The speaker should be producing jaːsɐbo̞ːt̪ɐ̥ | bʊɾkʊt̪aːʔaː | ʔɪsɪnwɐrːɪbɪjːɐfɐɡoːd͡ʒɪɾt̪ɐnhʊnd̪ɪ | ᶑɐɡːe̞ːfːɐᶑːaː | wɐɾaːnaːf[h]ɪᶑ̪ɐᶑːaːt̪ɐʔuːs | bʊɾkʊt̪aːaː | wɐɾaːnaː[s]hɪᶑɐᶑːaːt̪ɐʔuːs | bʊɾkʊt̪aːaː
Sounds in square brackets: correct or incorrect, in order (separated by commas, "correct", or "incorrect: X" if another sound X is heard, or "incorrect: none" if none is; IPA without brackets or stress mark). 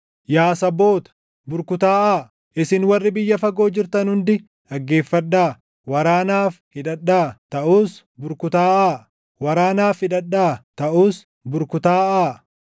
correct, incorrect: f